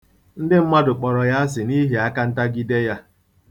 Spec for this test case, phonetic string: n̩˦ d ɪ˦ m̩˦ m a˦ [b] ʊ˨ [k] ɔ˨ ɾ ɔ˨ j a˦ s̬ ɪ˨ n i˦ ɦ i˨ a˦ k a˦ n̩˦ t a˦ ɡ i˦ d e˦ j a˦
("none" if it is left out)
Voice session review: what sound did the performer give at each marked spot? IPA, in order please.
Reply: d, k͡p

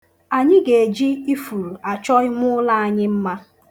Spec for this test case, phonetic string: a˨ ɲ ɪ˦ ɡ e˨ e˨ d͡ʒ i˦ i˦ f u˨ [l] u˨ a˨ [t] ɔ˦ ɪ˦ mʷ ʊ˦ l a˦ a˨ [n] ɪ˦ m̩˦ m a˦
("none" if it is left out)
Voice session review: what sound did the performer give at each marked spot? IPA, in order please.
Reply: ɾ, t͡ʃ, ɲ

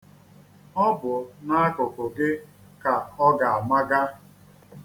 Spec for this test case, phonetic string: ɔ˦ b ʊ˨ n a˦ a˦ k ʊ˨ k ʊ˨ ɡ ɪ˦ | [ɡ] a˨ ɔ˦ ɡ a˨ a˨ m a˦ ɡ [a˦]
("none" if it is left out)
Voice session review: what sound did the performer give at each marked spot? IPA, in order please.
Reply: k, a˦

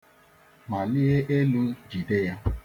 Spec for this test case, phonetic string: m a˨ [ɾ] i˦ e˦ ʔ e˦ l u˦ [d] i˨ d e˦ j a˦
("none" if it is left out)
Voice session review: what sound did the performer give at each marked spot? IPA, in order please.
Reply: l, d͡ʒ

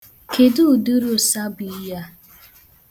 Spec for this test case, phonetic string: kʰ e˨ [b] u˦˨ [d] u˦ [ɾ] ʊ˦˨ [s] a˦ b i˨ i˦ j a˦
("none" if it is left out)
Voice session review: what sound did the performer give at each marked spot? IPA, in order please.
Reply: d, d, ɾ, s

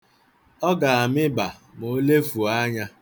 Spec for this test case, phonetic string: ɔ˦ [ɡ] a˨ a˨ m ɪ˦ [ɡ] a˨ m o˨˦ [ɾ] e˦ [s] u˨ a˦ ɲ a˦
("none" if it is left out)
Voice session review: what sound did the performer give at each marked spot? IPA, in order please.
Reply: ɡ, b, l, f

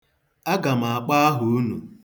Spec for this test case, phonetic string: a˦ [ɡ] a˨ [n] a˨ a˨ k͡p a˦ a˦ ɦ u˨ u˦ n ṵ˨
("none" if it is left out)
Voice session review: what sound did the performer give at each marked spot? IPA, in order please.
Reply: ɡ, m

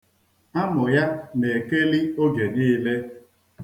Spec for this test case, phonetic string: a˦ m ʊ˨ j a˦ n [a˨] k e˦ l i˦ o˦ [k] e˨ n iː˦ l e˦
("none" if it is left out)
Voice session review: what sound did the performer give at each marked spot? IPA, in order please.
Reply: e˨, ɡ

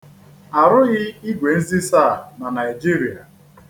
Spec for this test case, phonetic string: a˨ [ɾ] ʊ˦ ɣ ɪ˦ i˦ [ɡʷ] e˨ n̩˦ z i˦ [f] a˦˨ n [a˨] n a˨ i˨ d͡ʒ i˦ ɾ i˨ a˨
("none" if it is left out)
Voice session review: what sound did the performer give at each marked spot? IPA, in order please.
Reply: ɾ, ɡʷ, s, a˨

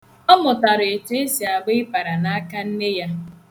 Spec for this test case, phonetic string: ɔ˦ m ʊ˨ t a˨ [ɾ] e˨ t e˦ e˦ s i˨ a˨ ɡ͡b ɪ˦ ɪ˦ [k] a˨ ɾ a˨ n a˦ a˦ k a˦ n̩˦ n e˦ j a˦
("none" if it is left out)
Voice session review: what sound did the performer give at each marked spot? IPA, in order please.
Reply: ɾ, p

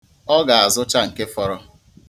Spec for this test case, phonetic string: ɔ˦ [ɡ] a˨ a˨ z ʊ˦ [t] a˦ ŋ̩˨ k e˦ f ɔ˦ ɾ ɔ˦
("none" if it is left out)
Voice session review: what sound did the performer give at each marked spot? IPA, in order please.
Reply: ɡ, t͡ʃ

